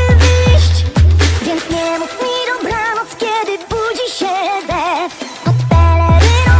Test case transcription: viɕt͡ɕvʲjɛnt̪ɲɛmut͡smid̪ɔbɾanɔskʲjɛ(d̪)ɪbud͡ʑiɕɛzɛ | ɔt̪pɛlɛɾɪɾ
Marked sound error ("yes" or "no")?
no